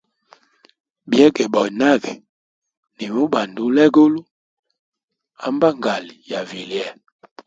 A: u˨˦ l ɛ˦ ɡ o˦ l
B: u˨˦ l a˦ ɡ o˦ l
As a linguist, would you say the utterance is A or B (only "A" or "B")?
A